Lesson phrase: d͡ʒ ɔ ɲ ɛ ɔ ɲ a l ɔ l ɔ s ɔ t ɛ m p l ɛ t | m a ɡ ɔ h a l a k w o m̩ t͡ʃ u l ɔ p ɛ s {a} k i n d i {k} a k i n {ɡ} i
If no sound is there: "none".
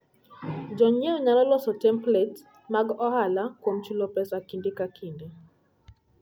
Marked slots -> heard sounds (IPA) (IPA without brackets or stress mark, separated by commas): a, k, d